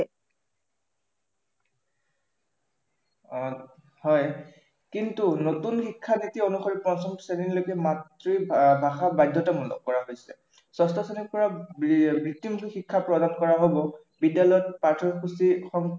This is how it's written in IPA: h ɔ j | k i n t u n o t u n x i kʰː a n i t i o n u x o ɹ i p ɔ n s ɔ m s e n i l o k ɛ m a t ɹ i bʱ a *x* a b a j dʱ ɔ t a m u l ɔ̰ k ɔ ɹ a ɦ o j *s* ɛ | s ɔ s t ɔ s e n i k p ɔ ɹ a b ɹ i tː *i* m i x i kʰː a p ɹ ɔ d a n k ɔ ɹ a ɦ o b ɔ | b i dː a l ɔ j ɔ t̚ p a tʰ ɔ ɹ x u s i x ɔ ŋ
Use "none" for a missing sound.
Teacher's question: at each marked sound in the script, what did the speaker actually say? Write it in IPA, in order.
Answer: x, s, i

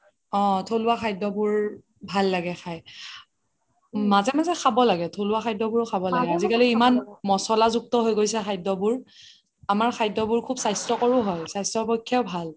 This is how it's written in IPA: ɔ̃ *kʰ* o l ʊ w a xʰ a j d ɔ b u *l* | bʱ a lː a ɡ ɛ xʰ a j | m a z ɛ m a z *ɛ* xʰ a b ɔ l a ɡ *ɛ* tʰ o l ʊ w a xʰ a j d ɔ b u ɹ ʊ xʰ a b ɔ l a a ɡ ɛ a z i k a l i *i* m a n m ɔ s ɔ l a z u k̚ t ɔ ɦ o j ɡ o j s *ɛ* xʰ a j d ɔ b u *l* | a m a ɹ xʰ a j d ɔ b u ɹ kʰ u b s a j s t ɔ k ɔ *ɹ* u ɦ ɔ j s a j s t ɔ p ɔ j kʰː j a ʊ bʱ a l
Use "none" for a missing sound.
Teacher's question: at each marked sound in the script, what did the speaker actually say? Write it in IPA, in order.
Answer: tʰ, ɹ, ɛ, ɛ, i, ɛ, ɹ, ɹ

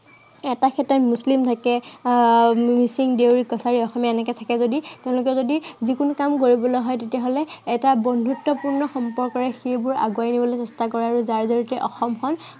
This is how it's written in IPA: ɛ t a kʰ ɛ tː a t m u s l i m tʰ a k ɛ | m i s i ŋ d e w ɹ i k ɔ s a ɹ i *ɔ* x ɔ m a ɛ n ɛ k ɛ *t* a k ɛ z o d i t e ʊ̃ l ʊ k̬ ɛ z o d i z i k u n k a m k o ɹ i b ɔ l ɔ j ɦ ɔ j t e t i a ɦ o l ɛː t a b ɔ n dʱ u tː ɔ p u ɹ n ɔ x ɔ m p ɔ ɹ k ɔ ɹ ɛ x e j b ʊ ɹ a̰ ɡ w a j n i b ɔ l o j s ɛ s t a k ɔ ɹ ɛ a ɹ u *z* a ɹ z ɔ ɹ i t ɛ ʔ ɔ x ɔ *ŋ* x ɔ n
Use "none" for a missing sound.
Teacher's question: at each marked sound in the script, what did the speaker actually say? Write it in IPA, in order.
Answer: ɔ, tʰ, z, m

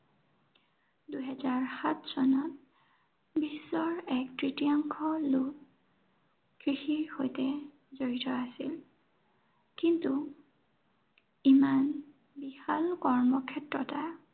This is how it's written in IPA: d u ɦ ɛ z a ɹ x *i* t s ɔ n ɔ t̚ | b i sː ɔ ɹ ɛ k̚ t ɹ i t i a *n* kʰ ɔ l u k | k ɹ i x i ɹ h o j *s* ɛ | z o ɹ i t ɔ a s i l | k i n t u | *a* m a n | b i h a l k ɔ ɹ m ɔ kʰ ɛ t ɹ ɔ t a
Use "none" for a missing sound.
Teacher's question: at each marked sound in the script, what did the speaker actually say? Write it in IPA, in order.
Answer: a, ŋ, t, i

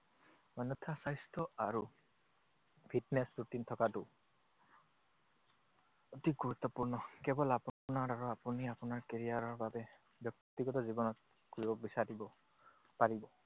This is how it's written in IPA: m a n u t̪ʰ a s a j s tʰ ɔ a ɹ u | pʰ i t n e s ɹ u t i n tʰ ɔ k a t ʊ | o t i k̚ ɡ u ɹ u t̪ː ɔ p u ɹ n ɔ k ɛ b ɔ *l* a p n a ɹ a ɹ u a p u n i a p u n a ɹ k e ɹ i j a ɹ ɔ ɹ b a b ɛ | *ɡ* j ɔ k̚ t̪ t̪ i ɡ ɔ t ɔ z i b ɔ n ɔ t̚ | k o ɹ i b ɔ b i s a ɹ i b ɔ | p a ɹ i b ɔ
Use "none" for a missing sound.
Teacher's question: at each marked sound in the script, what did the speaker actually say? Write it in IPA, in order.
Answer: l, b

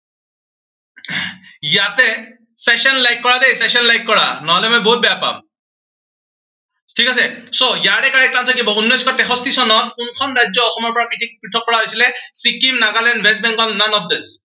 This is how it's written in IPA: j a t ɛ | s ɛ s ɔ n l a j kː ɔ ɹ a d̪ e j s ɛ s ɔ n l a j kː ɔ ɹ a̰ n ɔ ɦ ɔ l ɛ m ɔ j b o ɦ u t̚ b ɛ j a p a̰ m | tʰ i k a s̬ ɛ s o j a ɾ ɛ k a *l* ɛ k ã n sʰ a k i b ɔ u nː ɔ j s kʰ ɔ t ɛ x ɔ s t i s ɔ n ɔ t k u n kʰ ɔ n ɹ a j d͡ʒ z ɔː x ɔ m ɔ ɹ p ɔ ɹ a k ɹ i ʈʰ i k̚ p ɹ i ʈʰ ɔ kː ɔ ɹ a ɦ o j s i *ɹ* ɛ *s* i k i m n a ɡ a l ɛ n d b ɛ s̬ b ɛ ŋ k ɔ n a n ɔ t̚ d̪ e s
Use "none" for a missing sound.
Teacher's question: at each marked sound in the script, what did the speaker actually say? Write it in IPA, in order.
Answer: ɹ, l, s

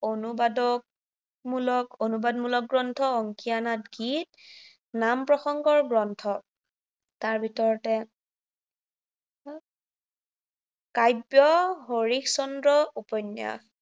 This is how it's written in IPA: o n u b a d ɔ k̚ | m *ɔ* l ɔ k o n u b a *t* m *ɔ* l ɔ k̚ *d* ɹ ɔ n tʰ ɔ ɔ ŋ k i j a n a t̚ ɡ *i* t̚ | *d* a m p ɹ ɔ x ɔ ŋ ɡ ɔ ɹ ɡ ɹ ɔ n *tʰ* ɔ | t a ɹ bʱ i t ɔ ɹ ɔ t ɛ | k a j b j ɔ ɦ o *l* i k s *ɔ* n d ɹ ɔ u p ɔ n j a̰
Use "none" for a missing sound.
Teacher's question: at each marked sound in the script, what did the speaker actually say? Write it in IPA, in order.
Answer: u, d, u, ɡ, i, n, tʰ, ɹ, ɔ

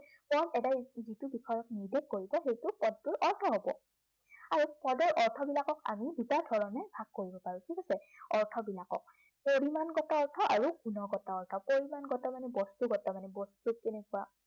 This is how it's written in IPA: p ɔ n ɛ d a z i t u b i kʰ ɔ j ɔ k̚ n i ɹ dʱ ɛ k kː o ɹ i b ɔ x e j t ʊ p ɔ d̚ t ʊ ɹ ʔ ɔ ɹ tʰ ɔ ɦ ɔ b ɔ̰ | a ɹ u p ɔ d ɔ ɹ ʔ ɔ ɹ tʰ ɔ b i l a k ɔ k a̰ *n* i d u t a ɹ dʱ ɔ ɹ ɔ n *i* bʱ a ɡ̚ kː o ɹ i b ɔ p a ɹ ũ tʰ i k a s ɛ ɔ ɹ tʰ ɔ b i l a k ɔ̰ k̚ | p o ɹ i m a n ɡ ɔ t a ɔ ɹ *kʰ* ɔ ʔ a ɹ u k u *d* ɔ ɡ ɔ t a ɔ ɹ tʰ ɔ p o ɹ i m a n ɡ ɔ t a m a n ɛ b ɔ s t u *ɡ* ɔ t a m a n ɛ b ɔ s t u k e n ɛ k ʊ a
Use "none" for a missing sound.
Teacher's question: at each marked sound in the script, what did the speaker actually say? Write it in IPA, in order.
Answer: m, ɛ, tʰ, n, ɡ

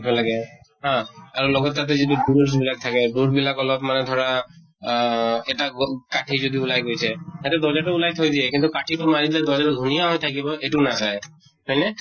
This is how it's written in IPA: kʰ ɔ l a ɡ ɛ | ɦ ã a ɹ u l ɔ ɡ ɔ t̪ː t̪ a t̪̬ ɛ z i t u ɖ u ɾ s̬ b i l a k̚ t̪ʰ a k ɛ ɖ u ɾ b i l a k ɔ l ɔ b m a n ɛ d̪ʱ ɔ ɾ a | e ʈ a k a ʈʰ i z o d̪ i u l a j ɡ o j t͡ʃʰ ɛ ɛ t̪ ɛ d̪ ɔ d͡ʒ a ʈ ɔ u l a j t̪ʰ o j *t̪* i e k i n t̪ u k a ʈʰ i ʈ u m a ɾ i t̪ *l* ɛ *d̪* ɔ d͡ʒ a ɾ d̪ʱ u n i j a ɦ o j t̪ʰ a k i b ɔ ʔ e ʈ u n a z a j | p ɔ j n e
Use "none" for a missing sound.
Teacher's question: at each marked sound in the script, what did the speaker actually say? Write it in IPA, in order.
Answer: d̪, l, d̪

